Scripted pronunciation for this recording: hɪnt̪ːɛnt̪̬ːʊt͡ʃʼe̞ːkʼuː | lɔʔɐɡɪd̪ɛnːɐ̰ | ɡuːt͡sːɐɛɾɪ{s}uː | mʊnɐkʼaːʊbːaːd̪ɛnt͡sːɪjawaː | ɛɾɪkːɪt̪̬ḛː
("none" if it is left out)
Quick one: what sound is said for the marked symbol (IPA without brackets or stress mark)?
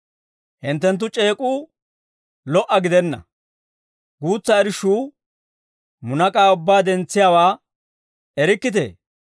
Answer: ʃ